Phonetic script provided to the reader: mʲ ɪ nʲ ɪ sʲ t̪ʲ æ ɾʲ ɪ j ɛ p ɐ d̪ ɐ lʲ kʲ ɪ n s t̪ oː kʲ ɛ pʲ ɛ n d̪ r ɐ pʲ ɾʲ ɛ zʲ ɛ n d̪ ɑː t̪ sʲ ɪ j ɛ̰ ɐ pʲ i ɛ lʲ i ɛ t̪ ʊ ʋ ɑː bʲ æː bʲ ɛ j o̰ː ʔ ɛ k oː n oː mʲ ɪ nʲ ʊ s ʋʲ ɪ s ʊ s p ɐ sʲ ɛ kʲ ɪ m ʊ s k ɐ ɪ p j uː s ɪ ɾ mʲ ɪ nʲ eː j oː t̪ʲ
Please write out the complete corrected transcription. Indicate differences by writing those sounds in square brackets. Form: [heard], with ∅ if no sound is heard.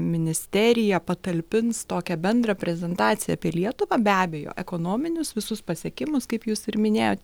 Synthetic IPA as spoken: mʲ ɪ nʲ ɪ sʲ t̪ʲ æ ɾʲ ɪ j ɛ p ɐ [t̪] ɐ lʲ [pʲ] ɪ n s t̪ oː kʲ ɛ [bʲ] ɛ n d̪ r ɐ pʲ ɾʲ ɛ zʲ ɛ n [t̪] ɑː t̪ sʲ ɪ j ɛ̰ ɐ pʲ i ɛ lʲ i ɛ t̪ ʊ ʋ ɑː bʲ æː bʲ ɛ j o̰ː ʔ ɛ k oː n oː mʲ ɪ nʲ ʊ s ʋʲ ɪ s ʊ s p ɐ sʲ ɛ kʲ ɪ m ʊ s k ɐ ɪ p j uː s ɪ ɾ mʲ ɪ nʲ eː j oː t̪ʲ